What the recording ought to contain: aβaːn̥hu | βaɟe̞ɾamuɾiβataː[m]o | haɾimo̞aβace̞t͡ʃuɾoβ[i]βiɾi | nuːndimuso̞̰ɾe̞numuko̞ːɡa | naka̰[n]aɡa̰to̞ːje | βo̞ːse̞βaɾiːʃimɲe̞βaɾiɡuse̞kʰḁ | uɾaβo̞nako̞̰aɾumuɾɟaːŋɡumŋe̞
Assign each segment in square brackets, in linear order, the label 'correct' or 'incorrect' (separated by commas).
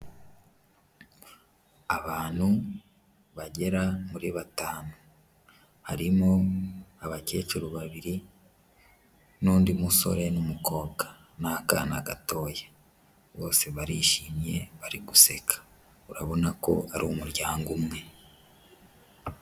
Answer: incorrect, incorrect, correct